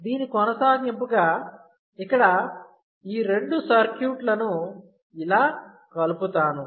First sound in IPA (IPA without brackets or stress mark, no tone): d̪